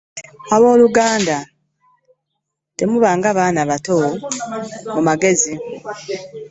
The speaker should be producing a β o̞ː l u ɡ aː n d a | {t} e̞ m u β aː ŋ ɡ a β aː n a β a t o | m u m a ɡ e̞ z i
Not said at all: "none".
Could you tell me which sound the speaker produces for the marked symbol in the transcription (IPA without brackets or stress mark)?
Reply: t